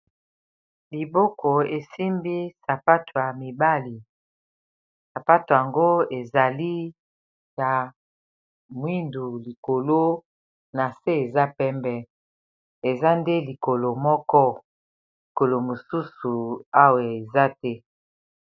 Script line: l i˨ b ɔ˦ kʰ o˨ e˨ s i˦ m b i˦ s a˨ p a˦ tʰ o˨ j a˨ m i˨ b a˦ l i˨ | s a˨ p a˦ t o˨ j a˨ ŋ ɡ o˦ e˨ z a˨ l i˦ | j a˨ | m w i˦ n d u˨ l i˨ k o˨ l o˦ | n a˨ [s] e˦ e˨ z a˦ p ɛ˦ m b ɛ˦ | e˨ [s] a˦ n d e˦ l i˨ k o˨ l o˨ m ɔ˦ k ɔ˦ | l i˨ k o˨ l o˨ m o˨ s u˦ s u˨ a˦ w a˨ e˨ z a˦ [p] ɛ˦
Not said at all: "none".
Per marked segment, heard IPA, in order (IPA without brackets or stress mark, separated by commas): s, z, t